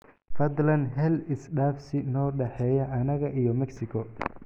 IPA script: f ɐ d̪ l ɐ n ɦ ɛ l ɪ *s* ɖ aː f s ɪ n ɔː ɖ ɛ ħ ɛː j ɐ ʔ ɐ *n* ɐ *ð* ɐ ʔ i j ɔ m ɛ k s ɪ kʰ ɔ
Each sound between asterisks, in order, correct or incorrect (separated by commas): correct, correct, incorrect